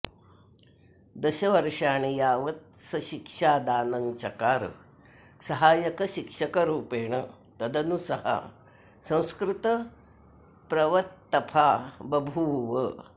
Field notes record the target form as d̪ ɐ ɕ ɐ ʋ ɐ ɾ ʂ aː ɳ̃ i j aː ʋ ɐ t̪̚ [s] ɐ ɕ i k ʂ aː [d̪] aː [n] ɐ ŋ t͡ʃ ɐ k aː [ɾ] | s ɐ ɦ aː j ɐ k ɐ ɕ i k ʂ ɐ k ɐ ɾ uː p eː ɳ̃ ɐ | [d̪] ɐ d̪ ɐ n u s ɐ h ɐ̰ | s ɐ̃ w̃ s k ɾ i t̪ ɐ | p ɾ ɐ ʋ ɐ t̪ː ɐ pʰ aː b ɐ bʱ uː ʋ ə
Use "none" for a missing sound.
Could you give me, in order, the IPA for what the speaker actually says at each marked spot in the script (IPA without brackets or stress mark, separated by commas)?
s, d̪, n, ɾ, t̪